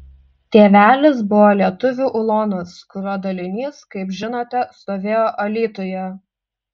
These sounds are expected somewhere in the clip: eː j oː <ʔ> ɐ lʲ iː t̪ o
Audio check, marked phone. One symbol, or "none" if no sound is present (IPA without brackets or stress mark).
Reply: ʔ